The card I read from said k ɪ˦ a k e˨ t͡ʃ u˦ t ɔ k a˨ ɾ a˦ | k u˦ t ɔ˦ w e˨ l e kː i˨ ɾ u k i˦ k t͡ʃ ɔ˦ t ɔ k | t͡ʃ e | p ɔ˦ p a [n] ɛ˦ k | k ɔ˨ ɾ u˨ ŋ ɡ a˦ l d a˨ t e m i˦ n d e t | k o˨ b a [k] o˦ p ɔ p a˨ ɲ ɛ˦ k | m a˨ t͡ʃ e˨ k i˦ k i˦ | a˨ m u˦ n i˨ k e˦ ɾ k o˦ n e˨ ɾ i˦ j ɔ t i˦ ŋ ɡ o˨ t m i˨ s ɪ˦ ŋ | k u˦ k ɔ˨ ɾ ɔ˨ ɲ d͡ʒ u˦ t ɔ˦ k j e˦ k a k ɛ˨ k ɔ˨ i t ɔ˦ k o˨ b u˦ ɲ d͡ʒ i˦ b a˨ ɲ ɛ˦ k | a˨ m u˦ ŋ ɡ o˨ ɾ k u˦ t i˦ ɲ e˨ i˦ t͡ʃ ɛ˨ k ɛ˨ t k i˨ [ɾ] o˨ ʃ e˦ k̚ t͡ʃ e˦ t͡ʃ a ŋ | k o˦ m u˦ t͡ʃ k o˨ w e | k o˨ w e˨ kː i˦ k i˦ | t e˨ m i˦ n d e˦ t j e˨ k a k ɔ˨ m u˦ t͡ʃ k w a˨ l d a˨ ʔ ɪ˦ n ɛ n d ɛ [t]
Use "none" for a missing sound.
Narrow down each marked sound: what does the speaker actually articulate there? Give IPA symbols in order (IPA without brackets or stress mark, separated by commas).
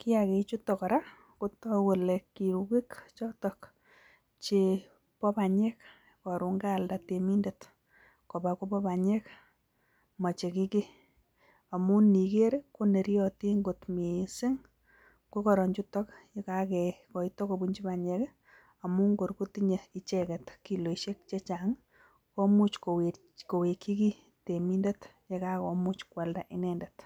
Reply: ɲ, k, l, t